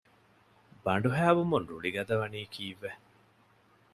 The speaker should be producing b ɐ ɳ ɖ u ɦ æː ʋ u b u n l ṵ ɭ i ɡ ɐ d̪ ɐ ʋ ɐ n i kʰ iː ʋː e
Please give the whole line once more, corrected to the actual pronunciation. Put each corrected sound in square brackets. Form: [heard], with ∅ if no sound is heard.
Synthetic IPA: b ɐ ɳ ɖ u ɦ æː ʋ u [m] u n [ɾ] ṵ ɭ i ɡ ɐ d̪ ɐ ʋ ɐ n [iː] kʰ iː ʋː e